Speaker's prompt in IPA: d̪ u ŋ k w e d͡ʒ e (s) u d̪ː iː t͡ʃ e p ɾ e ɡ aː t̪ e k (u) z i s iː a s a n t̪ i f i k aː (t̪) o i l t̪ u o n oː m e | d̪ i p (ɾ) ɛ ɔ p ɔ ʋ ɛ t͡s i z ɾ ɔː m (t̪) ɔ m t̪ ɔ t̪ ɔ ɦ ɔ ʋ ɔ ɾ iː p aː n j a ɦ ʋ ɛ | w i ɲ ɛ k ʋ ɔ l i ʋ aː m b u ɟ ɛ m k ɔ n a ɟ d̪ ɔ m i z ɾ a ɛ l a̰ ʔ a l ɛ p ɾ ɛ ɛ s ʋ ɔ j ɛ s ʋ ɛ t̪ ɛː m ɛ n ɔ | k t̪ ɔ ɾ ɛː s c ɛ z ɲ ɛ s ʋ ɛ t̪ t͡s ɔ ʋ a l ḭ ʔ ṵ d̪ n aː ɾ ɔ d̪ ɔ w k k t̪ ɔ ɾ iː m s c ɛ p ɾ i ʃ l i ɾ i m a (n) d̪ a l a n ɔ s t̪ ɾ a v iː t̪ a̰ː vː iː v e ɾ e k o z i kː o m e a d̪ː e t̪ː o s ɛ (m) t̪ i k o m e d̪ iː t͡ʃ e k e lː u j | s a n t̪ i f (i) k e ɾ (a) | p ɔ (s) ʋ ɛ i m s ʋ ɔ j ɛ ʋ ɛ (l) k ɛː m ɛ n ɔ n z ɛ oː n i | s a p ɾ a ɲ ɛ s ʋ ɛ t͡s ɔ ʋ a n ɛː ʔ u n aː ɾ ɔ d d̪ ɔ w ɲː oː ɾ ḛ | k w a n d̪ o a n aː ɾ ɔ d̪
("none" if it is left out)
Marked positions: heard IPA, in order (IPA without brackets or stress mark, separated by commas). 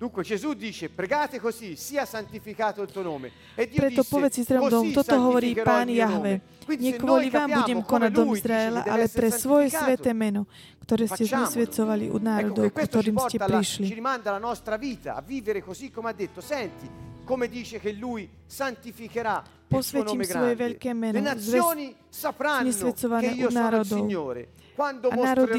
z, o, t̪, ɾ, d̪, n, n, i, a, s, ʎ